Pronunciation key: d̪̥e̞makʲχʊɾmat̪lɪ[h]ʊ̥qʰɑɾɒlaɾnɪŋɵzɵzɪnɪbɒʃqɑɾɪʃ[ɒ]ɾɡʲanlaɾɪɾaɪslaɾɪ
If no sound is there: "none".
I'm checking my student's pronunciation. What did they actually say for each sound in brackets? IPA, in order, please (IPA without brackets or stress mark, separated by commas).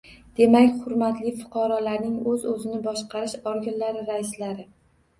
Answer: f, ɒ